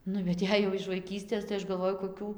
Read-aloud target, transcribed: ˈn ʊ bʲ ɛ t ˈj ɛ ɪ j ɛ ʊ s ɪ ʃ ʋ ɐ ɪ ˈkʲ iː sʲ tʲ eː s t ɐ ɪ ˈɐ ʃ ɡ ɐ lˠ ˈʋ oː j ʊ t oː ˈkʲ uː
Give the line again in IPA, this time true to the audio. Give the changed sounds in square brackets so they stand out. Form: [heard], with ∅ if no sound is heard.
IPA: ˈn ʊ bʲ ɛ t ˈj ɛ ɪ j ɛ ʊ [∅] ɪ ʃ ʋ ɐ ɪ ˈkʲ iː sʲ tʲ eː s t ɐ ɪ ˈɐ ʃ ɡ ɐ lˠ ˈʋ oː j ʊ [k] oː ˈkʲ uː